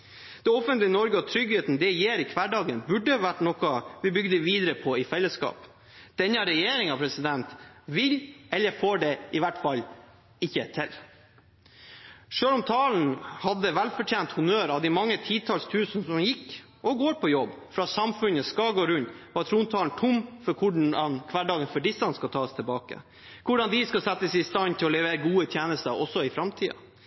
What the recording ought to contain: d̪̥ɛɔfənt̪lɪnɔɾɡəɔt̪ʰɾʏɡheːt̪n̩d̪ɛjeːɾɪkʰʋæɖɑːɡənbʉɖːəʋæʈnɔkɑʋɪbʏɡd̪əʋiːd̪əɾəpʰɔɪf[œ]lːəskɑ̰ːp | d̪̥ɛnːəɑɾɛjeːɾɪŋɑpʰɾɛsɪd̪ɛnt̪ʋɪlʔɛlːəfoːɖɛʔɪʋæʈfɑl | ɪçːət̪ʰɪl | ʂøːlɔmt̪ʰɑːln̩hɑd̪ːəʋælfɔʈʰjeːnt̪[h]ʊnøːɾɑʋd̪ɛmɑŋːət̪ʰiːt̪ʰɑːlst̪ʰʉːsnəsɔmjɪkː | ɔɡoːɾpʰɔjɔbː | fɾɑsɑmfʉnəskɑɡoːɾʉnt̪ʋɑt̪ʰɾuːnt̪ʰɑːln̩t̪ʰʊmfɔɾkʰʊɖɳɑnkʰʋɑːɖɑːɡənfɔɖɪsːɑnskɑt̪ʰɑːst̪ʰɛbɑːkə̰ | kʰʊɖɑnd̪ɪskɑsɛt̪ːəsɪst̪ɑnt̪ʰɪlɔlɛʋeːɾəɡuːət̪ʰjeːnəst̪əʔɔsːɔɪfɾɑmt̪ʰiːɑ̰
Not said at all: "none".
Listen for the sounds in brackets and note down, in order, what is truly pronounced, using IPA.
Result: ɛ, h

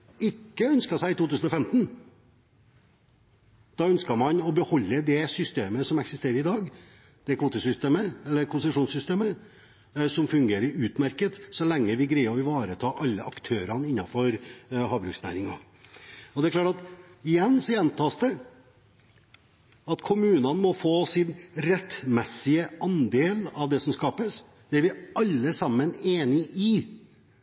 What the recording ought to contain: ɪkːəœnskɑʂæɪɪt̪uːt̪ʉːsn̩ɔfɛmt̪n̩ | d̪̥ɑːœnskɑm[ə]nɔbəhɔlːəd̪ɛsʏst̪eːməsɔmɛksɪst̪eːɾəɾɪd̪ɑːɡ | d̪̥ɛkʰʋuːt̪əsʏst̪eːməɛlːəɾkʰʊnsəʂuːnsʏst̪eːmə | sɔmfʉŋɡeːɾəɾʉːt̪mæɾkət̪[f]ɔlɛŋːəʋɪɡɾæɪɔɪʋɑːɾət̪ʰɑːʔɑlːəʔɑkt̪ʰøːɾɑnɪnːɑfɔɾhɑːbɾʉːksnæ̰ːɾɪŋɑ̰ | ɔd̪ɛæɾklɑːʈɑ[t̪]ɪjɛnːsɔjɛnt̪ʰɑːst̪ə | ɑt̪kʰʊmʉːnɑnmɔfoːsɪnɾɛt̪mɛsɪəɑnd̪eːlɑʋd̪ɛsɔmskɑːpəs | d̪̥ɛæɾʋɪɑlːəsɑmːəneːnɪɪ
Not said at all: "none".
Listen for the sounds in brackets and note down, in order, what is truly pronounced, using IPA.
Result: ɑ, s, t̪

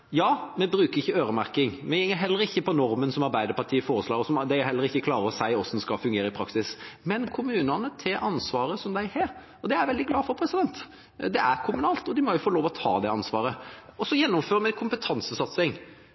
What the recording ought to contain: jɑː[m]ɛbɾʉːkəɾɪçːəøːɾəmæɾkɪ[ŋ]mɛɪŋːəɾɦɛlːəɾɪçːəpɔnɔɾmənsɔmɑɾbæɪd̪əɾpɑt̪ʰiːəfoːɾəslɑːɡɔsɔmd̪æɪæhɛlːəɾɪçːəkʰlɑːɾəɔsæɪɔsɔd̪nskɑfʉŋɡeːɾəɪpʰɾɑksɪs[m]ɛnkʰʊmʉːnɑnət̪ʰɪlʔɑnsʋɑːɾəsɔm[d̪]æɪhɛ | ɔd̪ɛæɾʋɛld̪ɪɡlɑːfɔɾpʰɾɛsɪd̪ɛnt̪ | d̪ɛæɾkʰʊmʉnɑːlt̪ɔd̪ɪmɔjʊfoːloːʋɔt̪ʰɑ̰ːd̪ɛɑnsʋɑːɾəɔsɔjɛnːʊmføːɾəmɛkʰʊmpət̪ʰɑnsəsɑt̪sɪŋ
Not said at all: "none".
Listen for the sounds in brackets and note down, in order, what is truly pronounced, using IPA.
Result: m, ŋ, m, d̪

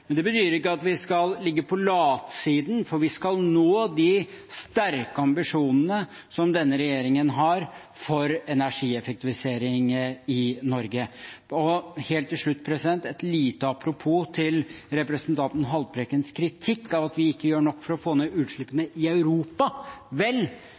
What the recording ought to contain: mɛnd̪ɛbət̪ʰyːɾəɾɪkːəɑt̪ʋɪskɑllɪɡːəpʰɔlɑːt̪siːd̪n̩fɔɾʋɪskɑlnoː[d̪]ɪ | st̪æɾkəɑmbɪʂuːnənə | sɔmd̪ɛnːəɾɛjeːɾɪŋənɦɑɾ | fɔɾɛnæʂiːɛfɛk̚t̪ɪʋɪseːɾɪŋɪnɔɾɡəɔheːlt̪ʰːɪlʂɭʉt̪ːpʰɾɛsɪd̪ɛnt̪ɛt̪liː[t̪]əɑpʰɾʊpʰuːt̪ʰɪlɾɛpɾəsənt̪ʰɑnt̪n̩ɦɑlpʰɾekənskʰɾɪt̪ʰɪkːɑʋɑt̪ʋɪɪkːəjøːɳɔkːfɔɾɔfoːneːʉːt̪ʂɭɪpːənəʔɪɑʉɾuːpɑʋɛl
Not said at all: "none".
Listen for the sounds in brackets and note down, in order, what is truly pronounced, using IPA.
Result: d̪, t̪

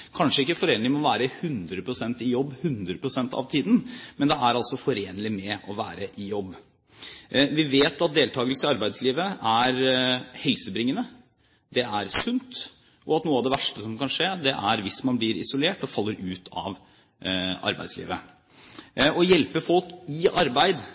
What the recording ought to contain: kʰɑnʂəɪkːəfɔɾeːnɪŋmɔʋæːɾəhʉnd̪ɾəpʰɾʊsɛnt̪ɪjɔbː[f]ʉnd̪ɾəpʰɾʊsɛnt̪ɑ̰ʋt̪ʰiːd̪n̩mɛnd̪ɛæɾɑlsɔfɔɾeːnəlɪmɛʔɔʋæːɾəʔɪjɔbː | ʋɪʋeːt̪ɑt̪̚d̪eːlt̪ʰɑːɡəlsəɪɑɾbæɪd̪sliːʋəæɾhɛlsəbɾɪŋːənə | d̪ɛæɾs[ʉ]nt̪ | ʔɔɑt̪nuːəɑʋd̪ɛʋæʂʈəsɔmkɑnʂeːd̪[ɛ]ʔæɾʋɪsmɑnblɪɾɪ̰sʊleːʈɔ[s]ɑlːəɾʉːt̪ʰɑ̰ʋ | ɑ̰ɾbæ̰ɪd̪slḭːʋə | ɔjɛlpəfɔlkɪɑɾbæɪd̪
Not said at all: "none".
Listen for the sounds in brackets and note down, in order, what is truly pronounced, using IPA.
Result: h, ʉ, ɛ, f

